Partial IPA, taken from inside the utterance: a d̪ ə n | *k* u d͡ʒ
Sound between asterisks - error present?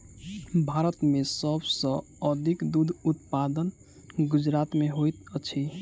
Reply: yes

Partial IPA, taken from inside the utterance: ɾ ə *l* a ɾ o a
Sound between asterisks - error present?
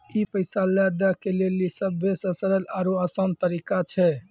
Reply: no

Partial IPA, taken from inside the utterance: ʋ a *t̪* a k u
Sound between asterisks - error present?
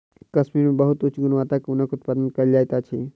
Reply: no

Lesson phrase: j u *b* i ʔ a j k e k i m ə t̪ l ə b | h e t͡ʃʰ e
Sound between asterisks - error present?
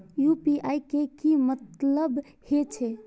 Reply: yes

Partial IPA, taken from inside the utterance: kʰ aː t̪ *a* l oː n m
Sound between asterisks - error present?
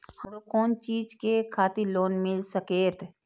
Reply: yes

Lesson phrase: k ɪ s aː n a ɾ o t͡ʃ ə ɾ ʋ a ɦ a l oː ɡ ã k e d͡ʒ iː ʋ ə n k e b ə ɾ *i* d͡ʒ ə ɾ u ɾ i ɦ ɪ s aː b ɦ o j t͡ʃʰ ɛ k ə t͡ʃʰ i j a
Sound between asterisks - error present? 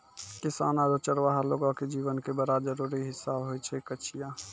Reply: yes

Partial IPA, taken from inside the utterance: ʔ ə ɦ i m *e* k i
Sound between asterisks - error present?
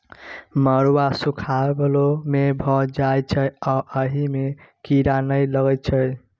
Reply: no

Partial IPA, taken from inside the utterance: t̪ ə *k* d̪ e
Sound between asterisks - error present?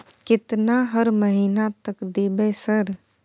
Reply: no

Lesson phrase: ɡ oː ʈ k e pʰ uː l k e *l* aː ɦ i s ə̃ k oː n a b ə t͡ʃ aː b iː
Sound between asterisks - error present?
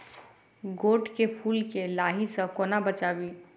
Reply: no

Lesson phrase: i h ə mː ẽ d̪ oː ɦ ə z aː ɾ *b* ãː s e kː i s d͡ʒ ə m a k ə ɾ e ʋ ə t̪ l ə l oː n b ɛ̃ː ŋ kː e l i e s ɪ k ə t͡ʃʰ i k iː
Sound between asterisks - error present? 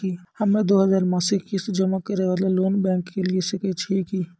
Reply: yes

